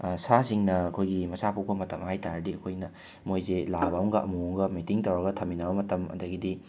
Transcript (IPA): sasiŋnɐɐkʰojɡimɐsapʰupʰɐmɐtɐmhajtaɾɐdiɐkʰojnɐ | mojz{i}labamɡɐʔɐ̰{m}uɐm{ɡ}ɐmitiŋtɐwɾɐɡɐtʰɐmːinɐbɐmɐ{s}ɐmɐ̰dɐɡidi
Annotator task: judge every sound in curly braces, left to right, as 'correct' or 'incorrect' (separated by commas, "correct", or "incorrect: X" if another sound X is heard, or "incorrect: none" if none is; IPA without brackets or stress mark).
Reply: incorrect: e, correct, correct, incorrect: t